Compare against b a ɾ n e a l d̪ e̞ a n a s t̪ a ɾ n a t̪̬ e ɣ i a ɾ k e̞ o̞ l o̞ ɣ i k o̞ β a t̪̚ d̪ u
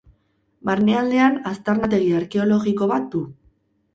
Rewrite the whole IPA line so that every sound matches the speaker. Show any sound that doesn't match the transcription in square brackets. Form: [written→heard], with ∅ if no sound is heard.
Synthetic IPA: b a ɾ n e a l d̪ e̞ a n a s t̪ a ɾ n a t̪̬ e ɣ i a ɾ k e̞ o̞ l o̞ ɣ i k o̞ β a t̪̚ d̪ u

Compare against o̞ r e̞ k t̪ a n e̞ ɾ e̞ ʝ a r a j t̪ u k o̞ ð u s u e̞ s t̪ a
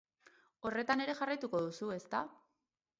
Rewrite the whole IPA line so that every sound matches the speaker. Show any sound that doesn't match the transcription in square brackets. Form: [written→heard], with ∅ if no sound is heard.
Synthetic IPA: o̞ r e̞ [k→∅] t̪ a n e̞ ɾ e̞ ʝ a r a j t̪ u k o̞ ð u s u e̞ s t̪ a

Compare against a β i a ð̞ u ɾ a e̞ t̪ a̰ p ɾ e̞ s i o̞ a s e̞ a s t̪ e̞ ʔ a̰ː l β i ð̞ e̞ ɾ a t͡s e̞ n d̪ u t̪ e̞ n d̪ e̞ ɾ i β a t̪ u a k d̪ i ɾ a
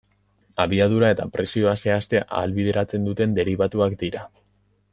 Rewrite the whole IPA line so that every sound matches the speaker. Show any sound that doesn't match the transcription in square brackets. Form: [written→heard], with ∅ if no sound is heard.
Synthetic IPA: a β i a ð̞ u ɾ a e̞ t̪ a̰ p ɾ e̞ s i o̞ a s e̞ a s t̪ e̞ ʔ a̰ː l β i ð̞ e̞ ɾ a t͡s e̞ n d̪ u t̪ e̞ n d̪ e̞ ɾ i β a t̪ u a k d̪ i ɾ a

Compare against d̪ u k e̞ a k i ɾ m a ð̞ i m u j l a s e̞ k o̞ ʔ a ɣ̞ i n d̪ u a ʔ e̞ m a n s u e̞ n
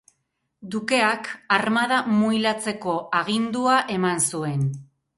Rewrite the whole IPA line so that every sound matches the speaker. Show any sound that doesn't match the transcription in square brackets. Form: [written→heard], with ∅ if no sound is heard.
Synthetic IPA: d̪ u k e̞ a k [i→a] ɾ m a ð̞ [i→a] m u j l a [s→t͡s] e̞ k o̞ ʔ a ɣ̞ i n d̪ u a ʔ e̞ m a n s u e̞ n

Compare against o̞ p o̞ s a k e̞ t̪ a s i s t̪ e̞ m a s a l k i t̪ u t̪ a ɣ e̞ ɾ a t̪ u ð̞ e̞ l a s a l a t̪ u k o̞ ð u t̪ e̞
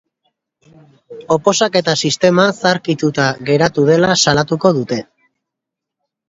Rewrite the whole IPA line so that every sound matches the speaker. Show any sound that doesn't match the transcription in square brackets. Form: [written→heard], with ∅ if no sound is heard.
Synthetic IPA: o̞ p o̞ s a k e̞ t̪ a s i s t̪ e̞ m a s a [l→ɾ] k i t̪ u t̪ a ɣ e̞ ɾ a t̪ u ð̞ e̞ l a s a l a t̪ u k o̞ ð u t̪ e̞

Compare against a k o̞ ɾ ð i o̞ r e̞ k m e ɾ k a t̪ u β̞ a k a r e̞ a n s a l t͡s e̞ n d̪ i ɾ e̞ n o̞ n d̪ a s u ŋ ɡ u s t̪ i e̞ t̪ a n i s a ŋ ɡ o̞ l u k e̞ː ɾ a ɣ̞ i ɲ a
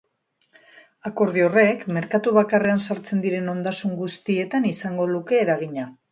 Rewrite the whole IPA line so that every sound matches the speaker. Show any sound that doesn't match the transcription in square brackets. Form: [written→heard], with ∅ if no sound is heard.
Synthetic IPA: a k o̞ ɾ ð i o̞ r e̞ k m e ɾ k a t̪ u β̞ a k a r e̞ a n s a [l→ɾ] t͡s e̞ n d̪ i ɾ e̞ n o̞ n d̪ a s u ŋ ɡ u s t̪ i e̞ t̪ a n i s a ŋ ɡ o̞ l u k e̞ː ɾ a ɣ̞ i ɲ a

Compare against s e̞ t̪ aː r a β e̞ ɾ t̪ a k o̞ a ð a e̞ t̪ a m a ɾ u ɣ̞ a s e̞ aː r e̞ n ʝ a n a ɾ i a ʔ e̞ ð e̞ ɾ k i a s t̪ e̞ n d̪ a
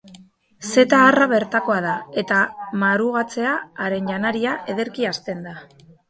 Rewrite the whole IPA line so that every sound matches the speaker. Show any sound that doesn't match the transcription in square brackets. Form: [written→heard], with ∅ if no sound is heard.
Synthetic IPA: s e̞ t̪ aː r a β e̞ ɾ t̪ a k o̞ a ð a e̞ t̪ a m a ɾ u ɣ̞ a [s→t͡s] e̞ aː [r→ɾ] e̞ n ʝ a n a ɾ i a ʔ e̞ ð e̞ ɾ k i a s t̪ e̞ n d̪ a

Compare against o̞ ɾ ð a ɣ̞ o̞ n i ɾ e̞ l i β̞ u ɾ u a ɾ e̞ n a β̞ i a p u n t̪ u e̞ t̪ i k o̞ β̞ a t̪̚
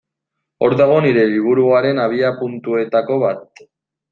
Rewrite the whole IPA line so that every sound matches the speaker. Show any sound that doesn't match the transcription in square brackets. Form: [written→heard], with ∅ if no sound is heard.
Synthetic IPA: o̞ ɾ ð a ɣ̞ o̞ n i ɾ e̞ l i β̞ u ɾ u a ɾ e̞ n a β̞ i a p u n t̪ u e̞ t̪ [i→a] k o̞ β̞ a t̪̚

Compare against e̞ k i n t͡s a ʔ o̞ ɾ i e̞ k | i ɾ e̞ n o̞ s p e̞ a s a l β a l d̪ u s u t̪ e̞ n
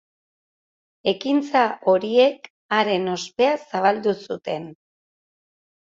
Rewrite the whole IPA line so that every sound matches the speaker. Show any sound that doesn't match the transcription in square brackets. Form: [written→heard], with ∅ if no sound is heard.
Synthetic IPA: e̞ k i n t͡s a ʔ o̞ ɾ i e̞ k | [i→a] ɾ e̞ n o̞ s p e̞ a s a [l→∅] β a l d̪ u s u t̪ e̞ n

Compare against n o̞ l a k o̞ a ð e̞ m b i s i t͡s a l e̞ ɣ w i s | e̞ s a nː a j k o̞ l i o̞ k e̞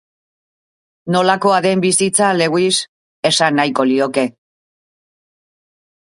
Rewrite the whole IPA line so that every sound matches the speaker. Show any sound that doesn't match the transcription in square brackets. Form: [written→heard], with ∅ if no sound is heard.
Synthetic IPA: n o̞ l a k o̞ a ð e̞ m b i s i t͡s a l e̞ ɣ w i s | e̞ s a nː a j k o̞ l i o̞ k e̞

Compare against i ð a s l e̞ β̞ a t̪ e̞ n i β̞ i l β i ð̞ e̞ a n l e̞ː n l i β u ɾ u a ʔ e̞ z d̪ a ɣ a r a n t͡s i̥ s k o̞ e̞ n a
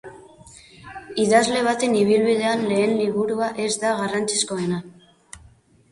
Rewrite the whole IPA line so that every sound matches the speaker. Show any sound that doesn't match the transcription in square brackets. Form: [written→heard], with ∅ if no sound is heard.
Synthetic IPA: i ð a [s→z] l e̞ β̞ a t̪ e̞ n i β̞ i l β i ð̞ e̞ a n l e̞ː n l i β u ɾ u a ʔ e̞ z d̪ a ɣ a r a n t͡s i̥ s k o̞ e̞ n a

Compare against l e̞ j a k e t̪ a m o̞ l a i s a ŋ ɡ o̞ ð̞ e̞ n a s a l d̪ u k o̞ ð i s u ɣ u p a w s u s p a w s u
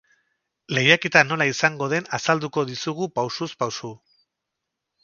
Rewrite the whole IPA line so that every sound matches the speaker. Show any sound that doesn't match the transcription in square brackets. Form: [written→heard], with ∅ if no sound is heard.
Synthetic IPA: l e̞ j a k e t̪ a [m→n] o̞ l a i s a ŋ ɡ o̞ ð̞ e̞ n a s a l d̪ u k o̞ ð i s u ɣ u p a w s u s p a w s u

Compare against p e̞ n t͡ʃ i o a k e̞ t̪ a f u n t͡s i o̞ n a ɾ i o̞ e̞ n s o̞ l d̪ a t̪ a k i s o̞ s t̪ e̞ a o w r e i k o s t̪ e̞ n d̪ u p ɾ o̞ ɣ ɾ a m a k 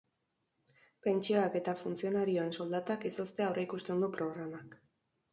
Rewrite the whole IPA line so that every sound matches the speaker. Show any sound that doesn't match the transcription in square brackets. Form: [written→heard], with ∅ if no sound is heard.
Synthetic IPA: p e̞ n t͡ʃ i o a k e̞ t̪ a f u n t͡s i o̞ n a ɾ i o̞ e̞ n s o̞ l d̪ a t̪ a k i s o̞ s t̪ e̞ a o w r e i k [o→u] s t̪ e̞ n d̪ u p ɾ o̞ ɣ ɾ a m a k

